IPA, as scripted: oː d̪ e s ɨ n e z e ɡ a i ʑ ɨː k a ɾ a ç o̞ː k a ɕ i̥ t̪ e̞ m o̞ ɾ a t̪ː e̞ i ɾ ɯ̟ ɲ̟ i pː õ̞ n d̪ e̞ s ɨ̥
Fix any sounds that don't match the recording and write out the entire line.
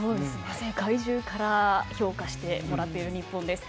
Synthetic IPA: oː d̪ e s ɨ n e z e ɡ a i ʑ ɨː k a ɾ a ç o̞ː k a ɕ i̥ t̪ e̞ m o̞ ɾ a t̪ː e̞ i ɾ ɯ̟ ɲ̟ i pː õ̞ n d̪ e̞ s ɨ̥